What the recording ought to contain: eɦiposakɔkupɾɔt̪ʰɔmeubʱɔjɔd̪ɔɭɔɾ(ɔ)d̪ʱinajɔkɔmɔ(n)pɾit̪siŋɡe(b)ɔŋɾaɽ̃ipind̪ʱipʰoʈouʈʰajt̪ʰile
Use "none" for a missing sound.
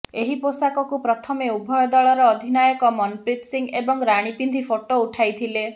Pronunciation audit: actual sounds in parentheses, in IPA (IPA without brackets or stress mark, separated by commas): ɔː, n, b